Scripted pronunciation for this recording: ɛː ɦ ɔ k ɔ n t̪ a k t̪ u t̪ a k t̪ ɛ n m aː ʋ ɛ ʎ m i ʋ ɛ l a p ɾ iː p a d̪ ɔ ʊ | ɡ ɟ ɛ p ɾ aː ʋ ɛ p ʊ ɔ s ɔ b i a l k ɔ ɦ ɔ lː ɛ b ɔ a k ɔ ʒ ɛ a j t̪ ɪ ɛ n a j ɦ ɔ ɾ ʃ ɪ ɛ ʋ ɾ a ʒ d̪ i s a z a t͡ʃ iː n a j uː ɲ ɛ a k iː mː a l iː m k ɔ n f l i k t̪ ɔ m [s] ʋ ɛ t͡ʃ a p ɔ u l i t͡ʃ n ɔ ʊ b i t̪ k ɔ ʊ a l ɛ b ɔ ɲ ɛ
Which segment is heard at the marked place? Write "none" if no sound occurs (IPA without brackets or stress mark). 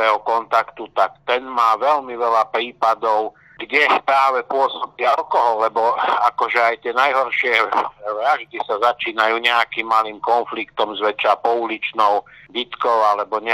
z